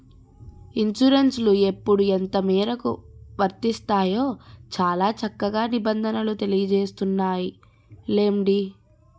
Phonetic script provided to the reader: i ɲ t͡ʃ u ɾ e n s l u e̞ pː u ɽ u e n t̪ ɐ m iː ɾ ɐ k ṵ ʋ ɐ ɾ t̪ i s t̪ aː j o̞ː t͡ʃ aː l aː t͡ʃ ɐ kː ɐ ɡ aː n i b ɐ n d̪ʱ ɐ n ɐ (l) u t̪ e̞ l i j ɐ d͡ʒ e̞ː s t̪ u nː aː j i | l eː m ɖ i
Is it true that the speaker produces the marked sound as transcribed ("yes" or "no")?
yes